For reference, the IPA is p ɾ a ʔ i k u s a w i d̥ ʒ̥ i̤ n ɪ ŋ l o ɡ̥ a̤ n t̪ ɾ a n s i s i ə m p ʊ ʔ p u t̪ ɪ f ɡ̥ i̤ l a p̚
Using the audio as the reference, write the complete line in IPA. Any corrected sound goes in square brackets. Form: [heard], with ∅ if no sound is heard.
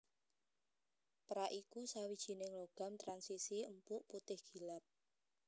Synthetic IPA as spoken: p ɾ a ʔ i k u s a w i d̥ ʒ̥ i̤ n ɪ ŋ l o ɡ̥ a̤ [m] t̪ ɾ a n s i s i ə m p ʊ ʔ p u t̪ ɪ [h] ɡ̥ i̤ l a p̚